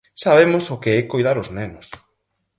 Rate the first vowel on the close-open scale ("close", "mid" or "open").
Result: open